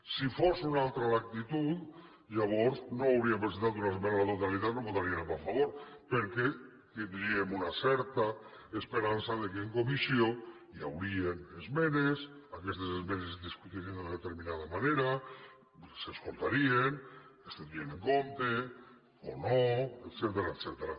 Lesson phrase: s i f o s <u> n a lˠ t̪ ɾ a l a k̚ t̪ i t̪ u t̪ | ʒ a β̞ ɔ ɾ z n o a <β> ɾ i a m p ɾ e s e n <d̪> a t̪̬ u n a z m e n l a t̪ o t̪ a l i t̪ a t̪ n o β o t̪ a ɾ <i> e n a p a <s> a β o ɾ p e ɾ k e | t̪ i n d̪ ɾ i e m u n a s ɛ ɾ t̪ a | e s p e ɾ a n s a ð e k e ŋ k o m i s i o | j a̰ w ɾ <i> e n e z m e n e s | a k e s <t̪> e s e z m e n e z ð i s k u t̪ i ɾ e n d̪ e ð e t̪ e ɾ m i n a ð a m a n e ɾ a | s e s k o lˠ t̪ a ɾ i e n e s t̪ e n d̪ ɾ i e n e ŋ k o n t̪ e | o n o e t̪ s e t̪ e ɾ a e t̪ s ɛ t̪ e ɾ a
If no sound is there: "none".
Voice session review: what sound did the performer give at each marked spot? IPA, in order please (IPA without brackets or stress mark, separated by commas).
u, w, t̪, i, f, i, t̪